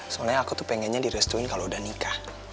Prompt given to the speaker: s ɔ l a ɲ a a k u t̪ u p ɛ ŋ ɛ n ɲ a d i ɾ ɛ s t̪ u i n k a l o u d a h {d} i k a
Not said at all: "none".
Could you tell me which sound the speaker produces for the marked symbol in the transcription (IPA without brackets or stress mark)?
n